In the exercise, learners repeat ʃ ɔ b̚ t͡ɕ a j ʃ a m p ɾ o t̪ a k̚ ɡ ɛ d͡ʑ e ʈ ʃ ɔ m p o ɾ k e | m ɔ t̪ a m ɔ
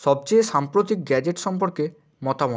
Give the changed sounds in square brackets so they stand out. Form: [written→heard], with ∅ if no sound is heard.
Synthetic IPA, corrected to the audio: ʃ ɔ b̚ t͡ɕ [a→e] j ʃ a m p ɾ o t̪ [a→i] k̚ ɡ ɛ d͡ʑ e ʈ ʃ ɔ m p o ɾ k e | m ɔ t̪ a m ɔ